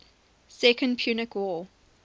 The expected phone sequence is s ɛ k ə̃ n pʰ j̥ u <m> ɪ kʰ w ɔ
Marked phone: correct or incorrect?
incorrect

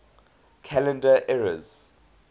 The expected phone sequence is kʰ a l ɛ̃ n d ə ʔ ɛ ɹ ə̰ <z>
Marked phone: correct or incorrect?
correct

